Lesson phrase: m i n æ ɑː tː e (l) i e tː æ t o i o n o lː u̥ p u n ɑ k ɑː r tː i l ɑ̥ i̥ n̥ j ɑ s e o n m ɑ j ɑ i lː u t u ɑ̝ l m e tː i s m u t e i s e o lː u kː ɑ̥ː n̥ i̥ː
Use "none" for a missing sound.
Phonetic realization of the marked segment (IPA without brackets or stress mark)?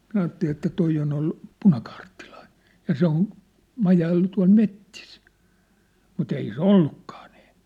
l